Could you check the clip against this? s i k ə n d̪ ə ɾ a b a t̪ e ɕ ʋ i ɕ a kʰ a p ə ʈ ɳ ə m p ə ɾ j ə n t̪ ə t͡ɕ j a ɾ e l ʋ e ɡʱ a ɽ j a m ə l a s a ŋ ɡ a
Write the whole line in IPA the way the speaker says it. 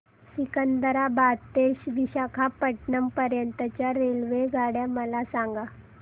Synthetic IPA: s i k ə n d̪ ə ɾ a b a t̪ e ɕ ʋ i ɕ a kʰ a p ə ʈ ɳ ə m p ə ɾ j ə n t̪ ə t͡ɕ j a ɾ e l ʋ e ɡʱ a ɽ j a m ə l a s a ŋ ɡ a